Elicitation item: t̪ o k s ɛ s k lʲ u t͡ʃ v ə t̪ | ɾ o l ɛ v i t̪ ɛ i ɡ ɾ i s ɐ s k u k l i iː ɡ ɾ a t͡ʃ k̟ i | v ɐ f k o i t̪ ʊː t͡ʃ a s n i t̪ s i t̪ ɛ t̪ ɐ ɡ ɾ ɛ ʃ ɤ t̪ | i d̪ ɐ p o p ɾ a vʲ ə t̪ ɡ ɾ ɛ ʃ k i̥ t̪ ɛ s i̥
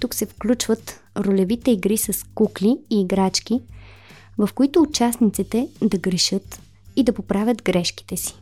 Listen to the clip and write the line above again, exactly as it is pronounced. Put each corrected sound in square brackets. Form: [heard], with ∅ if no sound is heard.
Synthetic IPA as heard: t̪ [u] k s ɛ [f] k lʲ u t͡ʃ v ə t̪ | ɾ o l ɛ v i t̪ ɛ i ɡ ɾ i s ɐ s k u k l i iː ɡ ɾ a t͡ʃ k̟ i | v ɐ f k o i t̪ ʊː t͡ʃ a s n i t̪ s i t̪ ɛ [d̪] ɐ ɡ ɾ ɛ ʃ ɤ t̪ | i d̪ ɐ p o p ɾ a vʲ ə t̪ ɡ ɾ ɛ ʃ k i̥ t̪ ɛ s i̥